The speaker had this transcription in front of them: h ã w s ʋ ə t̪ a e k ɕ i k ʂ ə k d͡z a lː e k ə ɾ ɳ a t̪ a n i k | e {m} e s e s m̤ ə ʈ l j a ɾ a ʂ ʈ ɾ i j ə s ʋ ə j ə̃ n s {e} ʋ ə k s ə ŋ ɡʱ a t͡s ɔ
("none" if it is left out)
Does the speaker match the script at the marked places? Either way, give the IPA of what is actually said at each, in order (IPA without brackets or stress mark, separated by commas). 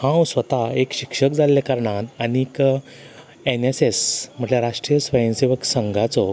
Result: n, e